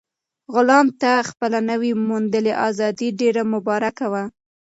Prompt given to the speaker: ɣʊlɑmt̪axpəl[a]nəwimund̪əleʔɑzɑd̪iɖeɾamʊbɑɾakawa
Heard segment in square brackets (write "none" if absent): a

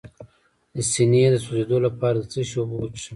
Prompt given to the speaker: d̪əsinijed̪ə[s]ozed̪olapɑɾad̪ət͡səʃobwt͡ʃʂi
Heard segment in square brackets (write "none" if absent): s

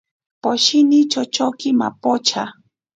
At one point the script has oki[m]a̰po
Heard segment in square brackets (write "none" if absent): m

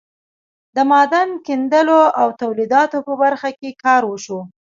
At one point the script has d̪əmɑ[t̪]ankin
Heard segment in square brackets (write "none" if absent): d̪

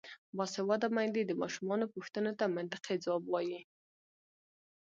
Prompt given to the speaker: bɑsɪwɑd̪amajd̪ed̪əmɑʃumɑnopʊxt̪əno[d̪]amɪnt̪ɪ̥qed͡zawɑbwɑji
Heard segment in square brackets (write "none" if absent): t̪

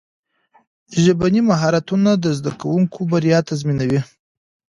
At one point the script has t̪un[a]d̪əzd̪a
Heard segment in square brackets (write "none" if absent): a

